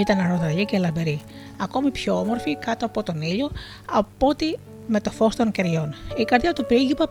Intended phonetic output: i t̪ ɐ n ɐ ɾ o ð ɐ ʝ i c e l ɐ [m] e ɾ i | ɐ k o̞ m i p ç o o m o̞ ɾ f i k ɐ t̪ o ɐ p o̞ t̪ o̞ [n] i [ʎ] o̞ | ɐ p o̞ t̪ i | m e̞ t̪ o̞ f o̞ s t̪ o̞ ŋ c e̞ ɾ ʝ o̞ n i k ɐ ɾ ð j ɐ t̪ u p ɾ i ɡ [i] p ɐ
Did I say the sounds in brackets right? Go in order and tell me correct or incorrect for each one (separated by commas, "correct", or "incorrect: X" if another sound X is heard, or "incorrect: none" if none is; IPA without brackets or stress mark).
incorrect: b, correct, correct, correct